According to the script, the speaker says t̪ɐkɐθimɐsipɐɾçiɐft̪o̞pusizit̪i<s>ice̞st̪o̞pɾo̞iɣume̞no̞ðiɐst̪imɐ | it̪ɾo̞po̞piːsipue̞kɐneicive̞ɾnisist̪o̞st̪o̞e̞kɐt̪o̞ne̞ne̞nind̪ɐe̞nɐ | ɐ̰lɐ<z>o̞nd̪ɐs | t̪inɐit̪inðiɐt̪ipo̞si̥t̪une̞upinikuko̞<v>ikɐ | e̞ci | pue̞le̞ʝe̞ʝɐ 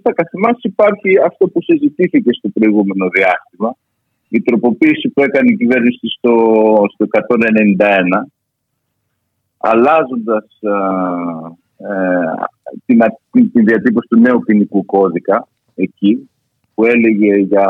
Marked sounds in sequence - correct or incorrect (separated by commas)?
incorrect, correct, incorrect